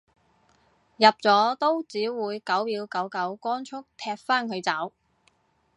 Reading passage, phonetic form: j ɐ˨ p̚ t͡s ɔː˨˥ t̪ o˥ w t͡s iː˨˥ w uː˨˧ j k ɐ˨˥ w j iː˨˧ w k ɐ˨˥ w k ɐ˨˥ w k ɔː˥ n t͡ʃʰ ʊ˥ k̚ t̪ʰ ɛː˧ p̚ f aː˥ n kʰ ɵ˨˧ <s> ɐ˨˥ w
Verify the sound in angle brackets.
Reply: incorrect: t͡s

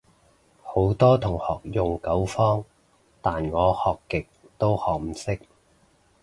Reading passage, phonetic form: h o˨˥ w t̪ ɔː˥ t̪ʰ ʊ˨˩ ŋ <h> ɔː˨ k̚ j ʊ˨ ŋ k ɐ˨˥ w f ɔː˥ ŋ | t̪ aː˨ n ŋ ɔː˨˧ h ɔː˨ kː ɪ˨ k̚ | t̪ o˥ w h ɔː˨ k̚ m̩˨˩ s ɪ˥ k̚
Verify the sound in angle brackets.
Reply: correct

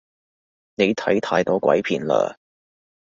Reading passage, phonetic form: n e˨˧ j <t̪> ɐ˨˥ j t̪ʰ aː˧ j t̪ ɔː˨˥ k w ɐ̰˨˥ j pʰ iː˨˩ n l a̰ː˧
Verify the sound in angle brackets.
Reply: incorrect: t̪ʰ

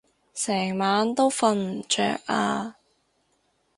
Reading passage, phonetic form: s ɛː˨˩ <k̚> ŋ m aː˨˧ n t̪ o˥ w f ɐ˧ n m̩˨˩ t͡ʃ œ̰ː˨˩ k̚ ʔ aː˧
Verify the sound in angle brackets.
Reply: incorrect: none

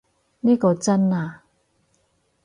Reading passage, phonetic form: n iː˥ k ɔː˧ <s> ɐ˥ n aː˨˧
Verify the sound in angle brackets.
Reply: incorrect: t͡s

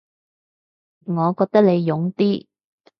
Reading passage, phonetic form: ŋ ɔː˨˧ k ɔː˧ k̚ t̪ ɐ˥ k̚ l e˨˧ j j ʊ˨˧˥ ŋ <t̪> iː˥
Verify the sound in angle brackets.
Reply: correct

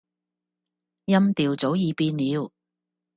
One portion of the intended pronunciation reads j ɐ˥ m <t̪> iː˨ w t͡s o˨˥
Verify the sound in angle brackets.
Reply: correct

